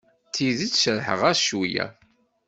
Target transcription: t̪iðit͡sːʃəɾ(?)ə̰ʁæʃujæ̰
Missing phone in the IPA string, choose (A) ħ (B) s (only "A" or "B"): A